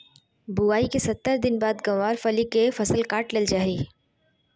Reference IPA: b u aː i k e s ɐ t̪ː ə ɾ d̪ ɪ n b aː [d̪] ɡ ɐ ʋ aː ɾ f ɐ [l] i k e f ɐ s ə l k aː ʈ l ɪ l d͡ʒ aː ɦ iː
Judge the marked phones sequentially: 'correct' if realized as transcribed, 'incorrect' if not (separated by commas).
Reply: correct, correct